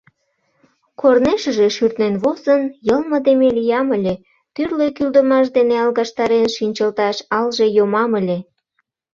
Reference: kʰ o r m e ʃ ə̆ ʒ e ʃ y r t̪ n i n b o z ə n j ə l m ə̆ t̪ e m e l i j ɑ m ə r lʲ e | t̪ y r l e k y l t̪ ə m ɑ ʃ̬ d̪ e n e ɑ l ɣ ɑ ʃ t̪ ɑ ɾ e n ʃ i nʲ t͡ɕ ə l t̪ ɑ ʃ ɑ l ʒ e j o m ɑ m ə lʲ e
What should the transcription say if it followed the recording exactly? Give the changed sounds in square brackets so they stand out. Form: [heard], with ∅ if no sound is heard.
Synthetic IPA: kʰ o r [n] e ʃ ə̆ ʒ e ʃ y r t̪ n [e] n [β] o z ə n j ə l m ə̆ [d̪] e m e l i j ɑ m ə [∅] lʲ e | t̪ y r l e k y l [d̪] ə m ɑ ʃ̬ d̪ e n e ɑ l ɣ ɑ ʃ t̪ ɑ ɾ e n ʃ i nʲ t͡ɕ ə l t̪ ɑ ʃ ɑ l ʒ e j o m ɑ m ə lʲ e